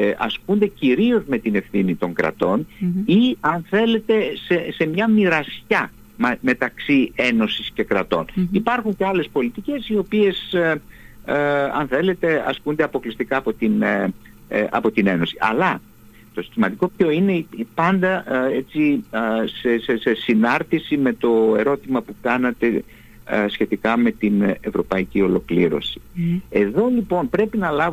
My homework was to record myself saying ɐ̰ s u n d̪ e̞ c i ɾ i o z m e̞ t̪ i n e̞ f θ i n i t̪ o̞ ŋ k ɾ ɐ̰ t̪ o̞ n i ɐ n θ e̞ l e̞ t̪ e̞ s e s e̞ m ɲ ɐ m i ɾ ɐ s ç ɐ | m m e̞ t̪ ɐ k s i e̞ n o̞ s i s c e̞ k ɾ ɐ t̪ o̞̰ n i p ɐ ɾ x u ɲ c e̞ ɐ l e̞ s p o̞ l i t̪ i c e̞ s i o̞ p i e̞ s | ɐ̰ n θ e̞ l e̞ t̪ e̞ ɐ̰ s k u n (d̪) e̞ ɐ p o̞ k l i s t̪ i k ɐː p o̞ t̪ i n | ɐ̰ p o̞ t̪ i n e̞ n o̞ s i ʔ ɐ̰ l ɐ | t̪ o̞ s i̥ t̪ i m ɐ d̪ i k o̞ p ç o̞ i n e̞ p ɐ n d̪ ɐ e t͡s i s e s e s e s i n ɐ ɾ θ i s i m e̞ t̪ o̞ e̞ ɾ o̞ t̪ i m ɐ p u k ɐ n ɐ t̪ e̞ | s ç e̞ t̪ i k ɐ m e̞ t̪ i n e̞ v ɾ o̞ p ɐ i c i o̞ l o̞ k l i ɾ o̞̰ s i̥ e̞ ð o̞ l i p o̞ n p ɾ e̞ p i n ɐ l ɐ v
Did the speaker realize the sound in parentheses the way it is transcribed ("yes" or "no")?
yes